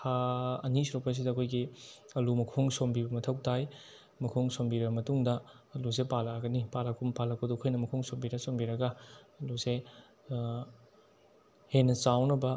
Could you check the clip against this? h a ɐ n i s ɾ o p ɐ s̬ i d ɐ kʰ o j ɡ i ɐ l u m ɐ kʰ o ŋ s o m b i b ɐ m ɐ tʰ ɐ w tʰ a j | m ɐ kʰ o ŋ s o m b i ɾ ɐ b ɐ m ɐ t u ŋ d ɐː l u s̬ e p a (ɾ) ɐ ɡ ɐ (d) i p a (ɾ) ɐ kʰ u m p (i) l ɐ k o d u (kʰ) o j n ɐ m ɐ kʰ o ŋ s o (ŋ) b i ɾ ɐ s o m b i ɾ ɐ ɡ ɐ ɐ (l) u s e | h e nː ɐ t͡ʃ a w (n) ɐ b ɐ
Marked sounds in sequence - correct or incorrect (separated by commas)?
incorrect, incorrect, incorrect, incorrect, correct, incorrect, correct, correct